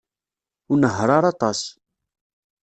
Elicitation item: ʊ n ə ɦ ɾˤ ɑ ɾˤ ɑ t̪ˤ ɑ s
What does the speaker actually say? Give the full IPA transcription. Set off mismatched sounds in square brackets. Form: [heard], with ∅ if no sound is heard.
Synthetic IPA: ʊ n ə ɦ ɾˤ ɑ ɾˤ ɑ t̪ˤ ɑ s